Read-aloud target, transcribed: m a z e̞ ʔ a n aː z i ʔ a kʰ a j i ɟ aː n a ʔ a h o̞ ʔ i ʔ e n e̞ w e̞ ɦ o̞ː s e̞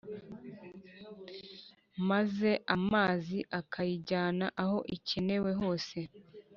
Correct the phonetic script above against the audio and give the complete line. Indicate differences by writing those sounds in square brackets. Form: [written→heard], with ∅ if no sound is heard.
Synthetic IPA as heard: m a z e̞ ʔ a [n→m] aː z i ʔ a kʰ a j i ɟ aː n a ʔ a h o̞ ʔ i [ʔ→c] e n e̞ w e̞ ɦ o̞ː s e̞